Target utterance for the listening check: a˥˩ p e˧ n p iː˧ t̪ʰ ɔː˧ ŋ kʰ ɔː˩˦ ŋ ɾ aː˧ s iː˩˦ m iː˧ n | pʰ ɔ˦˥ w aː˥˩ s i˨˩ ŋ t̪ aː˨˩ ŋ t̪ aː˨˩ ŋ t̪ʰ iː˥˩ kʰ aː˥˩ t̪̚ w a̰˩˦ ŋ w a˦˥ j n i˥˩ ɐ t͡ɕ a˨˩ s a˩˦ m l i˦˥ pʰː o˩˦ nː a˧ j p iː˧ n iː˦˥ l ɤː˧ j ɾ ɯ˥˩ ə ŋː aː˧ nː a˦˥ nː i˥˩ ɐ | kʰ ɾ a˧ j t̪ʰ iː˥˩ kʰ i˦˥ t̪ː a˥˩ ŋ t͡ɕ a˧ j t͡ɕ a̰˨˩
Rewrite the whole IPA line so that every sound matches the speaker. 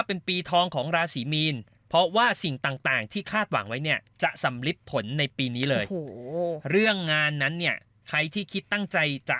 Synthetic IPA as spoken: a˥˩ p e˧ n p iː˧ t̪ʰ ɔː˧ ŋ kʰ ɔː˩˦ ŋ ɾ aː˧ s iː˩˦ m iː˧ n | pʰ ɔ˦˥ w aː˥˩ s i˨˩ ŋ t̪ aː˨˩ ŋ t̪ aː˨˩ ŋ t̪ʰ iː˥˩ kʰ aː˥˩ t̪̚ w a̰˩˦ ŋ w a˦˥ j n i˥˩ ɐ t͡ɕ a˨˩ s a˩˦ m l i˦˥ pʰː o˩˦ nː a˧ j p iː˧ n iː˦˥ l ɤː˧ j ɾ ɯ˥˩ ə ŋː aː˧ nː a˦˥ nː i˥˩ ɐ | kʰ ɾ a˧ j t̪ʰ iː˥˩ kʰ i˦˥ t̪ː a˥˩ ŋ t͡ɕ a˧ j t͡ɕ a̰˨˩